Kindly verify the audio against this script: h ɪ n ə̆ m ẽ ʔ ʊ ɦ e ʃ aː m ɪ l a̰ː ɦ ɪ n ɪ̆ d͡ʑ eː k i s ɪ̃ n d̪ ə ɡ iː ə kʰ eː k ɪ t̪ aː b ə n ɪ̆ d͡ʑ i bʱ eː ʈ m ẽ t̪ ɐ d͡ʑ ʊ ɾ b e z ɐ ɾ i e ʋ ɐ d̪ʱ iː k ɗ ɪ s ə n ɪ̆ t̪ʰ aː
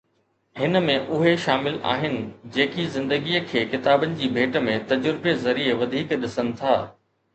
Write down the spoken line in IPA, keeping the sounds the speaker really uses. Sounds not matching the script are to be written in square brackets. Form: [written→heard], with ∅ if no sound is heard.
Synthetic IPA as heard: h ɪ n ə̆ m ẽ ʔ ʊ ɦ e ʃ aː m ɪ l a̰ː ɦ ɪ n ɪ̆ d͡ʑ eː k i [s→z] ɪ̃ n d̪ ə ɡ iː ə kʰ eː k ɪ t̪ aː b ə n ɪ̆ d͡ʑ [i→iː] bʱ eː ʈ m ẽ t̪ ɐ d͡ʑ ʊ ɾ b e z ɐ ɾ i e ʋ ɐ d̪ʱ iː k ɗ ɪ s ə n ɪ̆ t̪ʰ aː

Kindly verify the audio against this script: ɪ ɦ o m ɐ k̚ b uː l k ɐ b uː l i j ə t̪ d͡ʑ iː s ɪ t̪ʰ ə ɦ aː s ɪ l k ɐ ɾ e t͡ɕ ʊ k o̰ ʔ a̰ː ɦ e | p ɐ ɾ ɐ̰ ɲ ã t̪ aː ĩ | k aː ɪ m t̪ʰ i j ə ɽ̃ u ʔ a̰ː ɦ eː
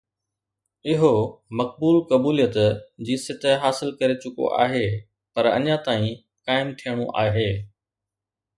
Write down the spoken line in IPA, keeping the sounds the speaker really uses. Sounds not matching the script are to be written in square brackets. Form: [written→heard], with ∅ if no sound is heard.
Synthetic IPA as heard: ɪ ɦ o m ɐ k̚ b uː l k ɐ b uː l i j ə t̪ d͡ʑ iː s ɪ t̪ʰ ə ɦ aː s ɪ l k ɐ ɾ e t͡ɕ ʊ k o̰ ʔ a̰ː ɦ e | p ɐ ɾ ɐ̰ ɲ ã t̪ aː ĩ | k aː ɪ m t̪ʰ i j ə ɽ̃ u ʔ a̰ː ɦ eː

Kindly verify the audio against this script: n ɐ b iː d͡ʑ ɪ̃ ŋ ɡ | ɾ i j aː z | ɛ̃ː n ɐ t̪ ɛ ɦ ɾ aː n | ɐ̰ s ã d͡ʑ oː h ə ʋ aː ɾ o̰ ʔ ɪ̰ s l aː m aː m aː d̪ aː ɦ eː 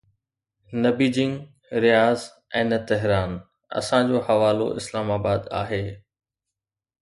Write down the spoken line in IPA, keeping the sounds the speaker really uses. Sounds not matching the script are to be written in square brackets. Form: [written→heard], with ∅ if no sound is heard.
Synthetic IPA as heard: n ɐ b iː d͡ʑ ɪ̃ ŋ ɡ | ɾ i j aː z | ɛ̃ː n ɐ t̪ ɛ ɦ ɾ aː n | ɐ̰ s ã d͡ʑ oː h [ə→ɐ] ʋ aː [ɾ→l] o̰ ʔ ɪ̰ s l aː m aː [m→b] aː d̪ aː ɦ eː

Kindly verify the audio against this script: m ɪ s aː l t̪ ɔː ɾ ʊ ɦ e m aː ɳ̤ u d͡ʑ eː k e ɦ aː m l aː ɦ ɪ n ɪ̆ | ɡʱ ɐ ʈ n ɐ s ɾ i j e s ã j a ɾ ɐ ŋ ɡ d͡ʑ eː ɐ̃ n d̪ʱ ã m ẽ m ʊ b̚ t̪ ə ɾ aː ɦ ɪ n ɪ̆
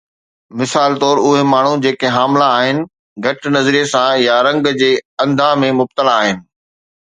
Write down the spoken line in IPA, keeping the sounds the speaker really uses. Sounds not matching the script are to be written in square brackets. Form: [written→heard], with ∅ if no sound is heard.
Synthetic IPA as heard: m ɪ s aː l t̪ ɔː ɾ ʊ ɦ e m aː ɳ̤ u d͡ʑ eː k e ɦ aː m l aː ɦ ɪ n ɪ̆ | ɡʱ ɐ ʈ n ɐ [s→z] ɾ i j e s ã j a ɾ [ɐ→ɐ̃] ŋ ɡ d͡ʑ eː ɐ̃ n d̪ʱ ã m ẽ m ʊ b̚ t̪ ə [ɾ→l] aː ɦ ɪ n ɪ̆

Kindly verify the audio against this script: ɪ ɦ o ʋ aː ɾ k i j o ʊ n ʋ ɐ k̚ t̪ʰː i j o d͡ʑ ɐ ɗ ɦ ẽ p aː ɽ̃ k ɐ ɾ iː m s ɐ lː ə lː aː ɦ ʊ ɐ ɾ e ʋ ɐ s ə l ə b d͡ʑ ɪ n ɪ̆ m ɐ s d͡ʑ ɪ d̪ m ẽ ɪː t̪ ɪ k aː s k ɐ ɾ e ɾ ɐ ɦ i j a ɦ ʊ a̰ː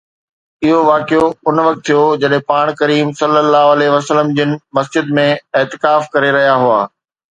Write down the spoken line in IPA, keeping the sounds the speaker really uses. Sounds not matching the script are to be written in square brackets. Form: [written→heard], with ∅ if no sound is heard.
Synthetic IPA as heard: ɪ ɦ o ʋ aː [ɾ→∅] k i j o ʊ n ʋ ɐ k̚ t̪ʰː i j o d͡ʑ ɐ ɗ ɦ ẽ p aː ɽ̃ k ɐ ɾ iː m s ɐ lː ə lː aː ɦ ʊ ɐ [ɾ→l] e ʋ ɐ s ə l ə [b→m] d͡ʑ ɪ n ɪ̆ m ɐ s d͡ʑ ɪ d̪ m ẽ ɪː t̪ ɪ k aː [s→f] k ɐ ɾ e ɾ ɐ ɦ i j a ɦ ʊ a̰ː

